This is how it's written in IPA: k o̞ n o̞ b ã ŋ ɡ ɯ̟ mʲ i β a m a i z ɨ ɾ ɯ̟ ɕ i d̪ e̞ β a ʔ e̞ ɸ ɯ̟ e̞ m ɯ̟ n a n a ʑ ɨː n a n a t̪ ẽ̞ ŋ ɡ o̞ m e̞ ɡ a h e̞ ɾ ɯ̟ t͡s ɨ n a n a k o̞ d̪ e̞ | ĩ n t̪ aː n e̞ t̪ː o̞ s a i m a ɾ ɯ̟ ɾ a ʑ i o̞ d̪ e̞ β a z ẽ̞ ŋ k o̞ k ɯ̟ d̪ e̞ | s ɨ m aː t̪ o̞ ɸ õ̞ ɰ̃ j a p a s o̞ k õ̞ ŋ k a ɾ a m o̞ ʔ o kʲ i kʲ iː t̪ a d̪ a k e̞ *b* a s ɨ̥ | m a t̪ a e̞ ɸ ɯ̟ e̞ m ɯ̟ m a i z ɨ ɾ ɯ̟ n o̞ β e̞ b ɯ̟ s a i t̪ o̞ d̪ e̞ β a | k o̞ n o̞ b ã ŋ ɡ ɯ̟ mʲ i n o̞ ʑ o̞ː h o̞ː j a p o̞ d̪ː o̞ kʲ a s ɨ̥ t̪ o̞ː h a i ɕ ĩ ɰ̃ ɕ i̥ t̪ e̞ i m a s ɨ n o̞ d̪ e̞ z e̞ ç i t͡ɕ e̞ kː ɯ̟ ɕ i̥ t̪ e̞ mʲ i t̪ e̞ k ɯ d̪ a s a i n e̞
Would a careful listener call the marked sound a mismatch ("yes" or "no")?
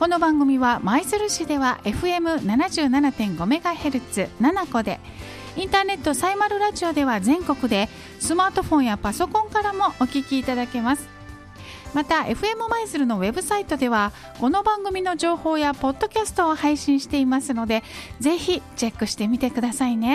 yes